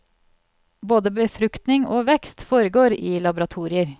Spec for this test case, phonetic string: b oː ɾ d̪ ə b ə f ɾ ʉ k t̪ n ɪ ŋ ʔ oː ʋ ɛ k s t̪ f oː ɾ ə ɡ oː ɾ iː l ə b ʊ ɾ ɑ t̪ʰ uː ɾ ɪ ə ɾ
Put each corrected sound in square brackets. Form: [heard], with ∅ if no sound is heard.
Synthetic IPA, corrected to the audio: b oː [∅] d̪ ə b ə f ɾ ʉ k t̪ n ɪ ŋ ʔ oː ʋ ɛ k s t̪ f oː ɾ ə ɡ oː ɾ iː l [ɑ] b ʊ ɾ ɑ t̪ʰ uː ɾ ɪ ə ɾ

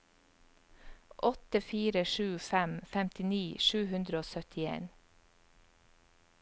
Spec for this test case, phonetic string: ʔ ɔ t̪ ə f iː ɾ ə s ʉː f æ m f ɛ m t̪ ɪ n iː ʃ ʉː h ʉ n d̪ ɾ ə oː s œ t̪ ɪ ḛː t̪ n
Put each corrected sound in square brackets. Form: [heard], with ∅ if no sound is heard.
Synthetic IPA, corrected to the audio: ʔ ɔ t̪ ə f iː ɾ ə [ʃ] ʉː f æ m f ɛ m t̪ ɪ n iː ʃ ʉː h ʉ n d̪ ɾ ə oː s œ t̪ ɪ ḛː [∅] n

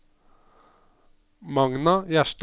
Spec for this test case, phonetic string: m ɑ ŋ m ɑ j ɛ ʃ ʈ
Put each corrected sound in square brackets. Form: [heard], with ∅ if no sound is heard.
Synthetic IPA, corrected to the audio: m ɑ ŋ [n] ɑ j [æ] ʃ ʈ

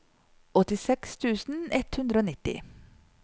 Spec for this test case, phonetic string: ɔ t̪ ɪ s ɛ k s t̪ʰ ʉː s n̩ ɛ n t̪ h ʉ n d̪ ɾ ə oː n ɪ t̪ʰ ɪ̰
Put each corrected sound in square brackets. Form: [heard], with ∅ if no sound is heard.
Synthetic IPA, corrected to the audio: ɔ t̪ ɪ s ɛ k s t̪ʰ ʉː s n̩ ɛ [∅] t̪ h ʉ n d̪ ɾ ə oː n ɪ [t̪] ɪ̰

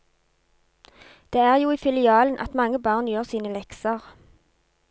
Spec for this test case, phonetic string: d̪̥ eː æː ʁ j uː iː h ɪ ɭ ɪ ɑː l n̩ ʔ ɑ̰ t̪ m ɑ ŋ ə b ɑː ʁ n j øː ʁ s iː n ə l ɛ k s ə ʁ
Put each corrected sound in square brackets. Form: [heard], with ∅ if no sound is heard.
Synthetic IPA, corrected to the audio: d̪̥ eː æː ʁ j uː iː [f] ɪ [l] ɪ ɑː l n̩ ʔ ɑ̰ t̪ m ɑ ŋ ə b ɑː ʁ n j øː ʁ s iː n ə l ɛ k s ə ʁ

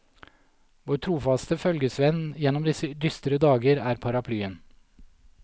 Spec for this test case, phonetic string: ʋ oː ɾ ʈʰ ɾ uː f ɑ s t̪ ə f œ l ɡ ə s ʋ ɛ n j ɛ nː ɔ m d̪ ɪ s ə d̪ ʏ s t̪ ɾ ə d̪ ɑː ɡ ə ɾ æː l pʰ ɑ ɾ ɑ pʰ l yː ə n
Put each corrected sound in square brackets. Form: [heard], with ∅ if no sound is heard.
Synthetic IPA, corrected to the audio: ʋ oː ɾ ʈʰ ɾ uː f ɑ s t̪ ə f œ l ɡ ə s ʋ ɛ n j ɛ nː ɔ m d̪ ɪ s ə d̪ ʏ s t̪ ɾ ə d̪ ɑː ɡ ə ɾ æː [ɾ] pʰ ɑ ɾ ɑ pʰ l yː ə n

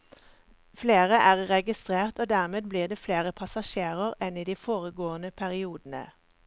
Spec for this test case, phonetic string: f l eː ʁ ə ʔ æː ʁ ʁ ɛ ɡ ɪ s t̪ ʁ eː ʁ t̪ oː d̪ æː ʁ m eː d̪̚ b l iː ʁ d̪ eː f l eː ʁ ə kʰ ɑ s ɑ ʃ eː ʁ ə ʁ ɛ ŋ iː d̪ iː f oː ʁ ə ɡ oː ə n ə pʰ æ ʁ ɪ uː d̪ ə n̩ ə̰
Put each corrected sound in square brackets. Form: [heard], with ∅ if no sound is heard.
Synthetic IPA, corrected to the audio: f l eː ʁ ə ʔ æː ʁ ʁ ɛ ɡ ɪ s t̪ ʁ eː ʁ t̪ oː d̪ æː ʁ m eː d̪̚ b l iː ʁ d̪ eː f l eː ʁ ə [pʰ] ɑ s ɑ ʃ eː ʁ ə ʁ ɛ [n] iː d̪ iː f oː ʁ ə ɡ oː ə n ə pʰ æ ʁ ɪ uː d̪ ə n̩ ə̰

